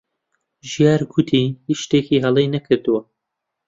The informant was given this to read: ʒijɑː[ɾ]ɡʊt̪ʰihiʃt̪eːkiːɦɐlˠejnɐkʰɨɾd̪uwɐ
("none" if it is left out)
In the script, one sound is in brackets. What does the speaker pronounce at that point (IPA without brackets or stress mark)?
ɾ